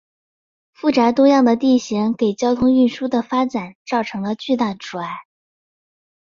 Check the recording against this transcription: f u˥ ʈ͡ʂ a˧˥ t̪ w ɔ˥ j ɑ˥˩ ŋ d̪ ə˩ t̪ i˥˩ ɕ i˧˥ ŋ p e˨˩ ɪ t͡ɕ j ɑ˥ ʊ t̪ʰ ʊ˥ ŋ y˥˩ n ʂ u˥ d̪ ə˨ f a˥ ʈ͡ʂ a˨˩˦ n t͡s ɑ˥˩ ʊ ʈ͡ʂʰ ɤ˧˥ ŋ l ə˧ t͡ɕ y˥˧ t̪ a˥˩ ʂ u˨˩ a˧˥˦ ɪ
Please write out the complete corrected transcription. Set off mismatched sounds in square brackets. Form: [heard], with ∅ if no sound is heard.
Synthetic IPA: f [u˥˩] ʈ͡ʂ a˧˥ t̪ w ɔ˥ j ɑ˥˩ ŋ d̪ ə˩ t̪ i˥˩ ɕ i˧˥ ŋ [k] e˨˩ ɪ t͡ɕ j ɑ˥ ʊ t̪ʰ ʊ˥ ŋ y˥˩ n ʂ u˥ d̪ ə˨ f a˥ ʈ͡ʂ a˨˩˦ n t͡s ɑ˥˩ ʊ ʈ͡ʂʰ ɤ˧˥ ŋ l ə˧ t͡ɕ y˥˧ t̪ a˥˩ [ʈ͡ʂ] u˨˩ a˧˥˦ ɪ